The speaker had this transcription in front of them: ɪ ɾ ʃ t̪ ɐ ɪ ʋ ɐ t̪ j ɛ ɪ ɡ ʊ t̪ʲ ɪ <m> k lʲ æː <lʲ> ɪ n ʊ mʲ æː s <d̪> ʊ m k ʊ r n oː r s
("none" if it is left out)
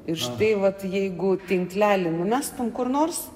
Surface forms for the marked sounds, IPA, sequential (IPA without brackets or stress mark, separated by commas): ŋ, lʲ, t̪